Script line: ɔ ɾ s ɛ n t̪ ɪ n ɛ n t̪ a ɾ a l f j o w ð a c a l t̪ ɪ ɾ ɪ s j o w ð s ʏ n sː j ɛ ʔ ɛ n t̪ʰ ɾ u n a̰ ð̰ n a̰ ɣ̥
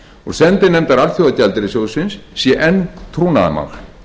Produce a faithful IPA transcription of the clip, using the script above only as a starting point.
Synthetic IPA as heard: ɔ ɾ s ɛ n t̪ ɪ n ɛ m t̪ a ɾ a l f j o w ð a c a l t̪ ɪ ɾ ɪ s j o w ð s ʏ n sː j ɛ ʔ ɛ n t̪ʰ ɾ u n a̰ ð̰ m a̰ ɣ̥